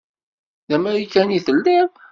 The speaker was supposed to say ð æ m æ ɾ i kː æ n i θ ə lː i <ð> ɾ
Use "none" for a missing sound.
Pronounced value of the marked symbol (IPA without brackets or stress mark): none